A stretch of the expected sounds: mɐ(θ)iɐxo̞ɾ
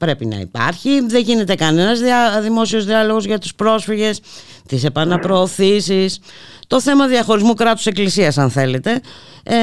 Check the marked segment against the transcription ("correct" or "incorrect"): incorrect